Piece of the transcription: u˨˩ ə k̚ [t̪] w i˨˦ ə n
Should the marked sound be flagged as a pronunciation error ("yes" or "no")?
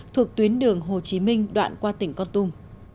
no